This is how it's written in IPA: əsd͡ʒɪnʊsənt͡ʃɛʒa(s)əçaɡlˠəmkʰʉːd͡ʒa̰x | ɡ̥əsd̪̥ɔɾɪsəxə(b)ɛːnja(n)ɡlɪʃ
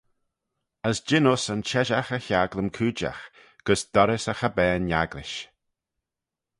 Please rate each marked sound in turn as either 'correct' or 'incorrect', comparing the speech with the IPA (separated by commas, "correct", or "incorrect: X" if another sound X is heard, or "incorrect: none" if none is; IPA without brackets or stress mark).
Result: incorrect: x, correct, incorrect: none